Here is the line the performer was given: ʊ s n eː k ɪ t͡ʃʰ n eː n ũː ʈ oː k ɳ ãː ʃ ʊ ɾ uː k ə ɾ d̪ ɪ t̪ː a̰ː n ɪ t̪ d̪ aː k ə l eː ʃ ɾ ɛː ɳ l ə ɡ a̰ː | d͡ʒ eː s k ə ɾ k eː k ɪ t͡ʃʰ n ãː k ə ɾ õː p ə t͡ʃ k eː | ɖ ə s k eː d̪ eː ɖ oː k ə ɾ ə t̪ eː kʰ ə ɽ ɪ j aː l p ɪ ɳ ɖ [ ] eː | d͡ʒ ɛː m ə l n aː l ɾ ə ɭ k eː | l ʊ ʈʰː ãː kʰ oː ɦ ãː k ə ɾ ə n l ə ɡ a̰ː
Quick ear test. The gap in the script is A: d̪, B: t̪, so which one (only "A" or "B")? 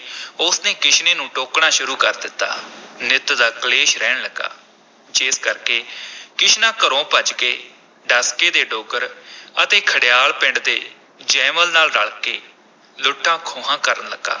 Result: A